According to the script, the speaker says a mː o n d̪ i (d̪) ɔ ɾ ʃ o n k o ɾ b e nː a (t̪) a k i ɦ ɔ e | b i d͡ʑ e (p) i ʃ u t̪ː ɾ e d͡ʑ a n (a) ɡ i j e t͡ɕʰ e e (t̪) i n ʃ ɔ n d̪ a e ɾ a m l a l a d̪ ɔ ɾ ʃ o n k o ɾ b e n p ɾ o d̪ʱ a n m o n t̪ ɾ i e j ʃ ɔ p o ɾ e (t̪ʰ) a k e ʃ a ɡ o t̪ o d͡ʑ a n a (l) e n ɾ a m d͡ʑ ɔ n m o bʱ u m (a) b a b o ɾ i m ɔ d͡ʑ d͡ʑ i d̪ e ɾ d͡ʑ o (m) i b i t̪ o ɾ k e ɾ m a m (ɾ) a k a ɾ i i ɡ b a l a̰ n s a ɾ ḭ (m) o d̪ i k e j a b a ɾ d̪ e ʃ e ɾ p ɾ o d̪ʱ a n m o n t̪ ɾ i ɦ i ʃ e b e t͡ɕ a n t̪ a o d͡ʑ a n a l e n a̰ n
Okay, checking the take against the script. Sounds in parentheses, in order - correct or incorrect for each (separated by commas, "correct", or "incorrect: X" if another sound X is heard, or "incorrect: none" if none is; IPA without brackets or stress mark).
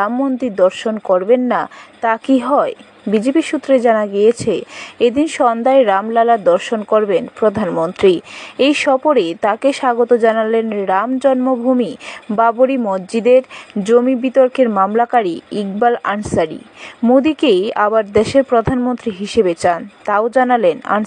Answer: correct, correct, correct, correct, incorrect: d̪, incorrect: t̪, correct, incorrect: i, correct, incorrect: l, correct